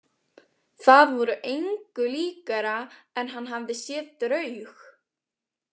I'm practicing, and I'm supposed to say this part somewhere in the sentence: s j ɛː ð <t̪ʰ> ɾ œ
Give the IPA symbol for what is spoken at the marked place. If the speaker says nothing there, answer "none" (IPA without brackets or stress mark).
t̪